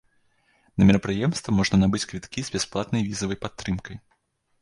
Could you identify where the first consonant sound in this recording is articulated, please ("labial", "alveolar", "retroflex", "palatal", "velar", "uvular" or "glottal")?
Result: alveolar